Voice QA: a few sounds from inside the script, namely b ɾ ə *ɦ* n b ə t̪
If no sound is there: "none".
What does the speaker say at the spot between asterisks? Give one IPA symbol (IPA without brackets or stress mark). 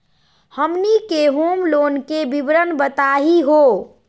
none